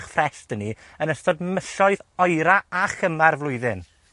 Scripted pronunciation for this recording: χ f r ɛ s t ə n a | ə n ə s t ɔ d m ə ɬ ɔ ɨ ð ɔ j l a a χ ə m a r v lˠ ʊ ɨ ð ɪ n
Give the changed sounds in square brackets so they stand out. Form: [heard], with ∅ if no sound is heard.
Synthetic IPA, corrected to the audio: χ f r ɛ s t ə n [i] | ə n ə s t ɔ d m ə ɬ ɔ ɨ ð ɔ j [ɾ] a a χ ə m a r v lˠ ʊ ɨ ð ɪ n